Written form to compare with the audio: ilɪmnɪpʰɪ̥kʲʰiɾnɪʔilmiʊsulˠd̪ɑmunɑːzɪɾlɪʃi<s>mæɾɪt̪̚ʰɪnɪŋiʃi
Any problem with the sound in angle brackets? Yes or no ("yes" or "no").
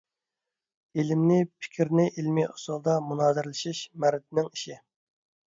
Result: yes